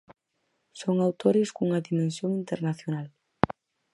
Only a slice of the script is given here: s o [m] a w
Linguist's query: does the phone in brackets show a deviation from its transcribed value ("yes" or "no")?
yes